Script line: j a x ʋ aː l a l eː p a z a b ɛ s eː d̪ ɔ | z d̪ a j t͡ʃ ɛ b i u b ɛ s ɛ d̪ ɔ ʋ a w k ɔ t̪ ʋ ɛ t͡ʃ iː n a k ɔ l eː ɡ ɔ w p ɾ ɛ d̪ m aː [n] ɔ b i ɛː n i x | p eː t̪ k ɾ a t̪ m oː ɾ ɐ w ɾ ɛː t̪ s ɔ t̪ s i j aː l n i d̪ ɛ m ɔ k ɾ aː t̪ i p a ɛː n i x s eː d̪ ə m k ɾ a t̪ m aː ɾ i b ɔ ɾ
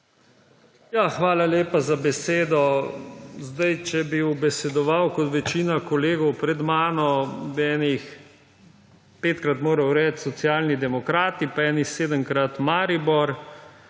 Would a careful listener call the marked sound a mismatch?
no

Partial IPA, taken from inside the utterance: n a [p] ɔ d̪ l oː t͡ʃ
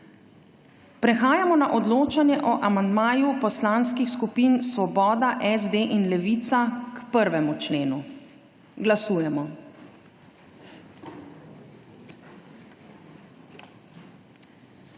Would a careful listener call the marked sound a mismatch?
yes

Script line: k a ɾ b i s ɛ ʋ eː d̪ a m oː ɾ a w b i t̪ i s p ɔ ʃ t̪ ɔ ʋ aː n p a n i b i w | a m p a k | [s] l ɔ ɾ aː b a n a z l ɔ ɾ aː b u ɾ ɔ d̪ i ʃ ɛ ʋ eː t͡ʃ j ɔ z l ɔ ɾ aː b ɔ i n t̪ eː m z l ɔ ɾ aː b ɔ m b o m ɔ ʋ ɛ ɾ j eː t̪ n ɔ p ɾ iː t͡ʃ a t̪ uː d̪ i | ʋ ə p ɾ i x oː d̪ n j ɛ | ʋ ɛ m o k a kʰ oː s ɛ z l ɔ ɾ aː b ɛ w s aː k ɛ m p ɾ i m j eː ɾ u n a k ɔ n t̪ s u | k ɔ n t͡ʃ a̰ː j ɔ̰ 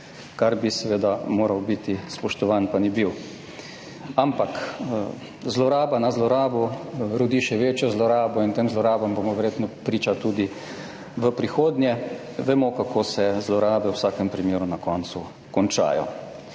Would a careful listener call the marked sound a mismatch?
yes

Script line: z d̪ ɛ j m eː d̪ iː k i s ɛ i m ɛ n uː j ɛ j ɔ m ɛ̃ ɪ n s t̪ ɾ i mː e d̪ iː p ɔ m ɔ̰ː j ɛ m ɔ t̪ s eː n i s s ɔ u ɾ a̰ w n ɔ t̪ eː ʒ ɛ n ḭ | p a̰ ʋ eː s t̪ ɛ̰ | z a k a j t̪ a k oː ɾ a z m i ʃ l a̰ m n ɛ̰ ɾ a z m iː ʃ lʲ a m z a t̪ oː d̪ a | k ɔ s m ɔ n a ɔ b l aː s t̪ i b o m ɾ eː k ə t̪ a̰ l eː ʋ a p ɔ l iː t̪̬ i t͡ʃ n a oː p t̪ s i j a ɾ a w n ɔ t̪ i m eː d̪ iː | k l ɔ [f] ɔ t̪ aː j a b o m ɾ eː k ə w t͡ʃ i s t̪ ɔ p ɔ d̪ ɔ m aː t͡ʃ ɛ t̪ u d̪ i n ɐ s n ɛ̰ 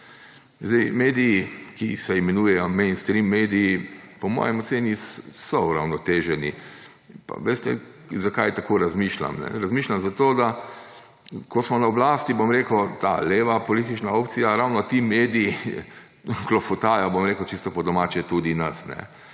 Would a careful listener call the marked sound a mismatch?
no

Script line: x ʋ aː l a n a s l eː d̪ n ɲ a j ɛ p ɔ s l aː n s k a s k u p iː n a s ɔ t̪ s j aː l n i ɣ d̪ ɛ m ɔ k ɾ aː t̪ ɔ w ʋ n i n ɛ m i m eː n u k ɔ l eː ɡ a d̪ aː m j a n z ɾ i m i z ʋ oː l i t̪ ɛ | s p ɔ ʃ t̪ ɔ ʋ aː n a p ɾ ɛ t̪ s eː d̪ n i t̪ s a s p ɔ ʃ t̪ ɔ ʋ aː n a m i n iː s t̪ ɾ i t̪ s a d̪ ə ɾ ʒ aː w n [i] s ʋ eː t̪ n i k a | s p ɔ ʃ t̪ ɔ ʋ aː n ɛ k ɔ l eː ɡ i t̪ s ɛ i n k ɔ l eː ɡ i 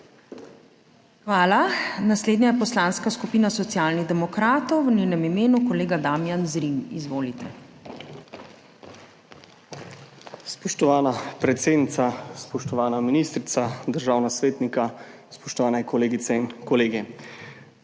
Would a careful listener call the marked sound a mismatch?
yes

